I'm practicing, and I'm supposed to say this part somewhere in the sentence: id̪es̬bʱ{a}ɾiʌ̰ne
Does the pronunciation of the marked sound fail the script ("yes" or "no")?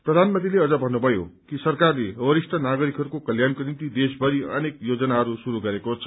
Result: yes